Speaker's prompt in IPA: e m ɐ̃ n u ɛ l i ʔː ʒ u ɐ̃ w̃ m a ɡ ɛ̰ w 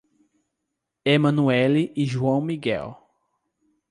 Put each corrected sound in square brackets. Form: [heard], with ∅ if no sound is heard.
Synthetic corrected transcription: e m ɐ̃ n u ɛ l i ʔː ʒ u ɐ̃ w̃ m [i] ɡ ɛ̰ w